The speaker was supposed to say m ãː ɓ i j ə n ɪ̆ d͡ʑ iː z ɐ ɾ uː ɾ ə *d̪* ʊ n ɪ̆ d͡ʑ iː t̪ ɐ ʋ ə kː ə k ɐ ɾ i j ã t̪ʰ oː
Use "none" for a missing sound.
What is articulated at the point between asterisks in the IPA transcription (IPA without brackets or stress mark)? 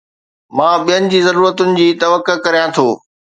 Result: t̪